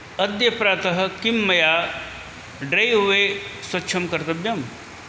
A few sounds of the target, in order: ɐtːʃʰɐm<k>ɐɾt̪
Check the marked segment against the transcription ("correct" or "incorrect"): correct